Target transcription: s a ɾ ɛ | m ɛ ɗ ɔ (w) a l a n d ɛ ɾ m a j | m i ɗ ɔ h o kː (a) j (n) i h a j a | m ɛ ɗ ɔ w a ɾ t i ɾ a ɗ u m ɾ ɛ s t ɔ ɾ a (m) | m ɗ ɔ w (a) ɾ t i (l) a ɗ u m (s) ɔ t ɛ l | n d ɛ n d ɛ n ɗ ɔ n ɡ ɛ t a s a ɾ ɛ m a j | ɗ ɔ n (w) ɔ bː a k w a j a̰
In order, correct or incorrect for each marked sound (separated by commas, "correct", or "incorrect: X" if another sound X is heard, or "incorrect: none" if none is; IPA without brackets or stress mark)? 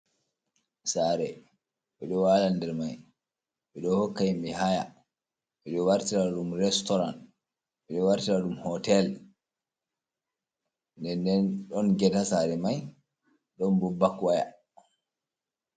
correct, correct, incorrect: m, incorrect: n, correct, incorrect: ɾ, incorrect: h, incorrect: b